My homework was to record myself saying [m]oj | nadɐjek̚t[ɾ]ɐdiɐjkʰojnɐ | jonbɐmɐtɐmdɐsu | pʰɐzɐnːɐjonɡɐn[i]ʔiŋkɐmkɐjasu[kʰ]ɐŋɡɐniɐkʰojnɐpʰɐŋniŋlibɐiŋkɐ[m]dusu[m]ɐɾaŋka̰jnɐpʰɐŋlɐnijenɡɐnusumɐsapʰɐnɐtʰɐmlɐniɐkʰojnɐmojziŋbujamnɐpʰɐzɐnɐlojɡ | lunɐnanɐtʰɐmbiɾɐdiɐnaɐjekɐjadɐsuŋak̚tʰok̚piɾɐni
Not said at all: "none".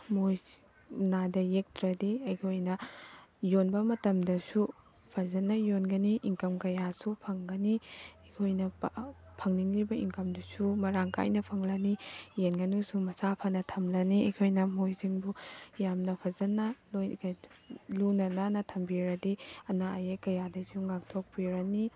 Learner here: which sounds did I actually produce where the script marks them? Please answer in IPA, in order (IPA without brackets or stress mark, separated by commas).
m, ɾ, i, pʰ, m, m